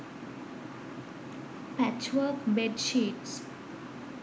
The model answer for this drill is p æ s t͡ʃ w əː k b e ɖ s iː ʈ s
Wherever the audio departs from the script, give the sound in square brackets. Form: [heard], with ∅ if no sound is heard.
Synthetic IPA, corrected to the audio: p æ [∅] t͡ʃ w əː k b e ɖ [ʃ] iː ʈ s